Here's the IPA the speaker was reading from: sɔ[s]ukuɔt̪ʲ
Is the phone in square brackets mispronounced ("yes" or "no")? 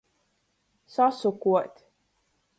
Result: no